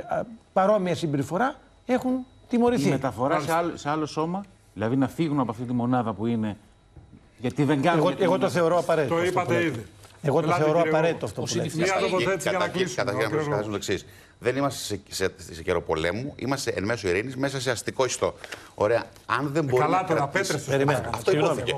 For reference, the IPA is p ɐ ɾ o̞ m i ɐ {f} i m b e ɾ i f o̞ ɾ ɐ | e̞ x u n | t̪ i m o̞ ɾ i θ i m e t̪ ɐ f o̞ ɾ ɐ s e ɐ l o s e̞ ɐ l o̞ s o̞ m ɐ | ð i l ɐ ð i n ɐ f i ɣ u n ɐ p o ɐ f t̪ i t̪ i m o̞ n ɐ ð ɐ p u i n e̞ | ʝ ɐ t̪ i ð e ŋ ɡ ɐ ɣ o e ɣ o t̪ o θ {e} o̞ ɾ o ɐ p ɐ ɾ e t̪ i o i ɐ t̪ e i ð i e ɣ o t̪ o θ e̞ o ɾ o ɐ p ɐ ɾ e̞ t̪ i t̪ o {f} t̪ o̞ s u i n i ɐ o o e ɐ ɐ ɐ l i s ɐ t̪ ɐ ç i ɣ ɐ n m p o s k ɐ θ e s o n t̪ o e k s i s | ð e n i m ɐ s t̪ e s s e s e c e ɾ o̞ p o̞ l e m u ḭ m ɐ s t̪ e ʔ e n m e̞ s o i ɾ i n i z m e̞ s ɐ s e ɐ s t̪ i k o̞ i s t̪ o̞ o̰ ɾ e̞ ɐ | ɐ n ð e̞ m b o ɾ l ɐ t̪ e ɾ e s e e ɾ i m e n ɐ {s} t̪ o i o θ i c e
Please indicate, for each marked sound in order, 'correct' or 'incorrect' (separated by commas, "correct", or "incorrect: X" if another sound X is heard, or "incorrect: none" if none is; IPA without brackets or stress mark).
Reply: incorrect: s, correct, correct, incorrect: f